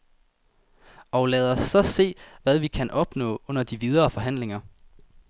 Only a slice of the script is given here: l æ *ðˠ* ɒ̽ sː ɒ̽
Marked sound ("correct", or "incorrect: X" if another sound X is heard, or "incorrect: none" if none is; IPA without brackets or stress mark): correct